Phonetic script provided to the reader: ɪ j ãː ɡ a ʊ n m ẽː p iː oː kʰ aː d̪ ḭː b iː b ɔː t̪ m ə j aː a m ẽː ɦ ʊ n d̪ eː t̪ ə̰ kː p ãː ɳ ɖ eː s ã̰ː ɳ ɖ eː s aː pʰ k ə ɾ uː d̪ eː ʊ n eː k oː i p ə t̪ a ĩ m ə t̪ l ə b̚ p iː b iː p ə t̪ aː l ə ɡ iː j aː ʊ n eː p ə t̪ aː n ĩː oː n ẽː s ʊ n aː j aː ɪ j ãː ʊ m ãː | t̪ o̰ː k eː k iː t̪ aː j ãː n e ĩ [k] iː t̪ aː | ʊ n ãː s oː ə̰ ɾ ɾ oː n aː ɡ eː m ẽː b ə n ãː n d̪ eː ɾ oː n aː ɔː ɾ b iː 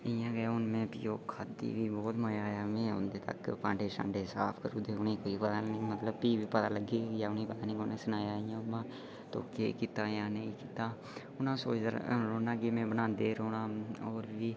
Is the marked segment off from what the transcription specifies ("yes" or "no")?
no